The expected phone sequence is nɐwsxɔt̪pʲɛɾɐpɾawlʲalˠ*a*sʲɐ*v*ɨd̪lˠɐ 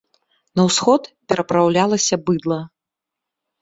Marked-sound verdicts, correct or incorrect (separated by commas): incorrect, incorrect